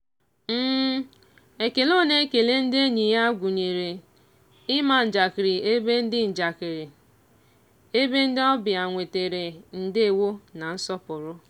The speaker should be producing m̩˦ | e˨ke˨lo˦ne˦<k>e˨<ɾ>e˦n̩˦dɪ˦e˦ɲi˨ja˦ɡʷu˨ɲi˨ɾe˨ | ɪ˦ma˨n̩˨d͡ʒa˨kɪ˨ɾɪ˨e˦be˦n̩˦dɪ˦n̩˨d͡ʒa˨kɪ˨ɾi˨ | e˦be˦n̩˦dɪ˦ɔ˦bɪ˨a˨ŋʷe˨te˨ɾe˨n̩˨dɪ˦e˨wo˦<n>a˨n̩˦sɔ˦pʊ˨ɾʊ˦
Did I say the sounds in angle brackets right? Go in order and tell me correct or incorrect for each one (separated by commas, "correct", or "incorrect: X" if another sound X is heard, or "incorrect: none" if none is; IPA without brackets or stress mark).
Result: correct, incorrect: l, correct